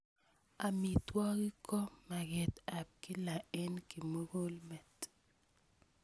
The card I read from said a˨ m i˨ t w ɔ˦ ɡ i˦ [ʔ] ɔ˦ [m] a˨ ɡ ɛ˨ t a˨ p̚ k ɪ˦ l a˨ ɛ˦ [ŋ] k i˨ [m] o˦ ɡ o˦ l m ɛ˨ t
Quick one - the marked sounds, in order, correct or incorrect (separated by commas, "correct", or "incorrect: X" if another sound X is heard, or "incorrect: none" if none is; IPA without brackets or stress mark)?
incorrect: k, correct, incorrect: n, correct